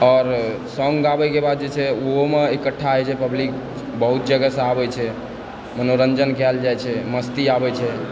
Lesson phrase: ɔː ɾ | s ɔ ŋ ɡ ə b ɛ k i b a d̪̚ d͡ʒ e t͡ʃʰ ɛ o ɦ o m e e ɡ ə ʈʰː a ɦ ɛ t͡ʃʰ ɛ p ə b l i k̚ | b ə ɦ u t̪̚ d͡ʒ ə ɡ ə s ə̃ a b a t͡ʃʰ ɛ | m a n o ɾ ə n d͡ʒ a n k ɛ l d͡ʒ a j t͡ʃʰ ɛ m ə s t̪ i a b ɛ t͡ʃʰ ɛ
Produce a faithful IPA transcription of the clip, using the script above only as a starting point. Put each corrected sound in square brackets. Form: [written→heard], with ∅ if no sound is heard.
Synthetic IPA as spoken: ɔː ɾ | s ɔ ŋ ɡ [ə→a] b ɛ k [i→e] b a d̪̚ d͡ʒ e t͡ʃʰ ɛ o ɦ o m e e [ɡ→k] ə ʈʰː a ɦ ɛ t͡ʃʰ ɛ p ə b l i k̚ | b ə ɦ u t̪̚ d͡ʒ ə ɡ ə s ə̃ a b [a→ɛ] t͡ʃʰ ɛ | m [a→ə] n o ɾ ə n d͡ʒ [a→ə] n k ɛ l d͡ʒ a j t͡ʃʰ ɛ m ə s t̪ i a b ɛ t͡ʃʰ ɛ